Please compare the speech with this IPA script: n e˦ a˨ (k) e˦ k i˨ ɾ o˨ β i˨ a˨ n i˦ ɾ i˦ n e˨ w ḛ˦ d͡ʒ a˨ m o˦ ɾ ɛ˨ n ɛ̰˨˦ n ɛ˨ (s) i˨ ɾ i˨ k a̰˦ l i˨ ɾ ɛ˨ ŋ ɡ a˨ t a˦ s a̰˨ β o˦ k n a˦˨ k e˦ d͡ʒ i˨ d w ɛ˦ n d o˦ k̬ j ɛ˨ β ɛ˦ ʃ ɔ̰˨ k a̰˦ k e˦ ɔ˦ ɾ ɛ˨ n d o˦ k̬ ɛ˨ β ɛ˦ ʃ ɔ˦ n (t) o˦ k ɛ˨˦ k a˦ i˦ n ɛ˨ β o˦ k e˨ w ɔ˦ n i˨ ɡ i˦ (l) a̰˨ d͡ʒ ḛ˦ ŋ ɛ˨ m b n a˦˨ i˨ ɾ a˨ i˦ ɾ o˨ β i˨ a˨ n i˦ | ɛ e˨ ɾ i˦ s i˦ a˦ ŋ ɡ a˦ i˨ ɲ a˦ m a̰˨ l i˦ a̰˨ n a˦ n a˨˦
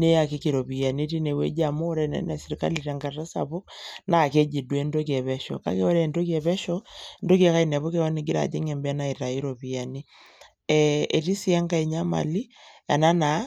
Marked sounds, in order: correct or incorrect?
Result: correct, correct, incorrect: d, incorrect: ɾ

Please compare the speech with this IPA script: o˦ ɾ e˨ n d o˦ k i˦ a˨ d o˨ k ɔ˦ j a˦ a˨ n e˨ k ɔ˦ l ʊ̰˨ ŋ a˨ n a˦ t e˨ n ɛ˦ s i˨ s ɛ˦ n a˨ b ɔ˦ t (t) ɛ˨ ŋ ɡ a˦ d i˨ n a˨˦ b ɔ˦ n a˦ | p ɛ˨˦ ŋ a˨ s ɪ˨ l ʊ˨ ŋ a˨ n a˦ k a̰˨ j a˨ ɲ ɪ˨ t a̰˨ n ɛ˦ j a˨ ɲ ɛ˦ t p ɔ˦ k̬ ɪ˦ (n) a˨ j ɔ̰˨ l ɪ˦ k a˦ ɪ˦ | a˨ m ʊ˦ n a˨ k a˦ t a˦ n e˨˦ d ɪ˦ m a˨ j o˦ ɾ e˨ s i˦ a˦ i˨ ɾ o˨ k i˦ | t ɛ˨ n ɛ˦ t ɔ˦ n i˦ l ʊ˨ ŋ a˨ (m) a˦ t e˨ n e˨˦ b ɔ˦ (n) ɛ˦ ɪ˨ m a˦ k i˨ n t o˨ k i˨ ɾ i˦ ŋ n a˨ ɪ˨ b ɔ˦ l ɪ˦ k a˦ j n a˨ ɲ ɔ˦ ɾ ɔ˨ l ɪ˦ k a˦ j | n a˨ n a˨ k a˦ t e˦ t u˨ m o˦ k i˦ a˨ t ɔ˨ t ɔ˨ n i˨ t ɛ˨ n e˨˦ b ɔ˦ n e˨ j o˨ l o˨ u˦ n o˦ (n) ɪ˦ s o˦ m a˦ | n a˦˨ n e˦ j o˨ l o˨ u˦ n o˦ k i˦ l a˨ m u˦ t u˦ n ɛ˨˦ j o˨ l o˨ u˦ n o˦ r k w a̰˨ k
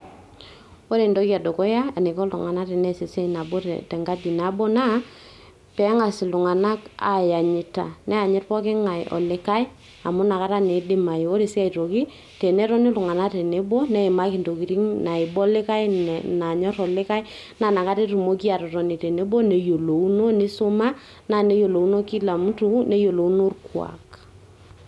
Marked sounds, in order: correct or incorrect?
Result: correct, incorrect: ŋ, incorrect: n, correct, correct

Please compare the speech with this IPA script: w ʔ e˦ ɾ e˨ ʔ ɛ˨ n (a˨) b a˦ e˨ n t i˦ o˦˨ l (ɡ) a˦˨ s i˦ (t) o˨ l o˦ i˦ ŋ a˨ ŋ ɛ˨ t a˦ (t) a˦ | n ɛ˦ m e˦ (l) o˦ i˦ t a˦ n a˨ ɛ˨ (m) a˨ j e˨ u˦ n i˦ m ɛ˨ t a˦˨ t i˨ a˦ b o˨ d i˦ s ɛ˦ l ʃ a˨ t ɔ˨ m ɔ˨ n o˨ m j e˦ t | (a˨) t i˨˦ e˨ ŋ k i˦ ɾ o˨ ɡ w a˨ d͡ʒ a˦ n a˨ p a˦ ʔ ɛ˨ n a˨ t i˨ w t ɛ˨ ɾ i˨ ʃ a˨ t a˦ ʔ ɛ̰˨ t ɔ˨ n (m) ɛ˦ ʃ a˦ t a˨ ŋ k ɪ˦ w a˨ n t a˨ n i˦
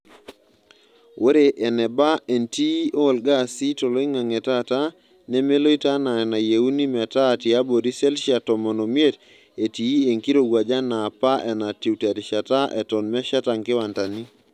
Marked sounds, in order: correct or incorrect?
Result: incorrect: ɛ˨, correct, correct, correct, correct, incorrect: n, incorrect: e˨, correct

